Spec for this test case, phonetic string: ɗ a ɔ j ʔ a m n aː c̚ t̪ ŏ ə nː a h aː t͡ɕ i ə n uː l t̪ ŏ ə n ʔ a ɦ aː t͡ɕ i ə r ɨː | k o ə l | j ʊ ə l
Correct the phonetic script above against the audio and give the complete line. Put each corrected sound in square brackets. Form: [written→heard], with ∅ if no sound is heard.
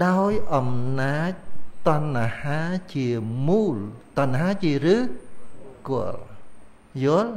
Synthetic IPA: ɗ a ɔ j ʔ [a→ɑ] m n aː c̚ t̪ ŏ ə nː a h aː t͡ɕ i ə [n→m] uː l t̪ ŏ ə n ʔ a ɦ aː t͡ɕ i ə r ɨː | k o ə l | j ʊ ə l